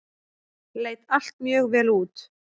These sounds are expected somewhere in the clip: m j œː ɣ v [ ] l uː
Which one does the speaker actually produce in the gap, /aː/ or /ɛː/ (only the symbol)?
ɛː